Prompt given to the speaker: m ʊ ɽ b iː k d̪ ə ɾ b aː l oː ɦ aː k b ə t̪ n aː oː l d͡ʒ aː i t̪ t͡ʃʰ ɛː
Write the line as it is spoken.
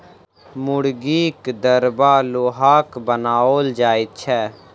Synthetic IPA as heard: m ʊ ɽ ɡ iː k d̪ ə ɾ b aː l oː ɦ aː k b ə n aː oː l d͡ʒ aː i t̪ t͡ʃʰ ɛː